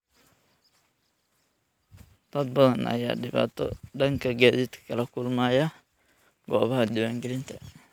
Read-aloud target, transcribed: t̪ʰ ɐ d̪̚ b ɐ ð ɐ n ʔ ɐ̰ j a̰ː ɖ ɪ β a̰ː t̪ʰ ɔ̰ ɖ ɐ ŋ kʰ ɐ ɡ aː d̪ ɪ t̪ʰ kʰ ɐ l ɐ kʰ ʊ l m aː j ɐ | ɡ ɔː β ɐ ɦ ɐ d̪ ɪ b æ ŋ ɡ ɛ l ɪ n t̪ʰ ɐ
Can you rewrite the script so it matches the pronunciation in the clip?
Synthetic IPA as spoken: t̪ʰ ɐ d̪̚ b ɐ ð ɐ n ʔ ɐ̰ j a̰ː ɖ ɪ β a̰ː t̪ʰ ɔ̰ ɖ ɐ ŋ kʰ ɐ ɡ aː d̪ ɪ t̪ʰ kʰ ɐ l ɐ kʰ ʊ l m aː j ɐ | ɡ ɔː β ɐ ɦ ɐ d̪ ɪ w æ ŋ ɡ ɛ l ɪ n t̪ʰ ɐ